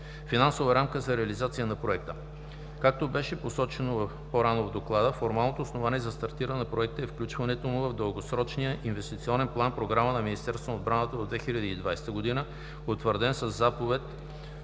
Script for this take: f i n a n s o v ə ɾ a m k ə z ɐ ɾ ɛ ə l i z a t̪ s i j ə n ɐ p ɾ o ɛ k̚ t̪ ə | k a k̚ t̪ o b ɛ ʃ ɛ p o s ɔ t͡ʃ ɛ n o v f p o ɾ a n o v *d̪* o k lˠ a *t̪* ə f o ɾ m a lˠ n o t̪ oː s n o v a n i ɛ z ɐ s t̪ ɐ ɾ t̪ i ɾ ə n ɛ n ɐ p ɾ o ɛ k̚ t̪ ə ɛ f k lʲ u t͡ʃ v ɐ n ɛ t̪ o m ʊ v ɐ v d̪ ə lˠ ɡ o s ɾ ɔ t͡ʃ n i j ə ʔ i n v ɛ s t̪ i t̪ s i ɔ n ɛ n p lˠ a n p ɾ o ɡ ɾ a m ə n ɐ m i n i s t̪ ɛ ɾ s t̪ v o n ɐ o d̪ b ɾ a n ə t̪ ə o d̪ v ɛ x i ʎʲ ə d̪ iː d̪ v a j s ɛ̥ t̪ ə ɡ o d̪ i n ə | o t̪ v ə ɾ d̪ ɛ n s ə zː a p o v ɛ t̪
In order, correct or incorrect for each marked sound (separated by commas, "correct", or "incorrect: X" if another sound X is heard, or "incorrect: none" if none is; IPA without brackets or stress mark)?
correct, incorrect: d̪